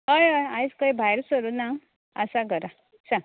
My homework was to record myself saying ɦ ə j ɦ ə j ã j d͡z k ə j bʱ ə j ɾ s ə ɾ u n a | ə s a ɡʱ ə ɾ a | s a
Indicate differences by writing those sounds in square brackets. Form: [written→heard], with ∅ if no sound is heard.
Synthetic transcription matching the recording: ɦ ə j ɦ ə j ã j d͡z k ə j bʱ [ə→a] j ɾ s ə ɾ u n a | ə s a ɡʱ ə ɾ a | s a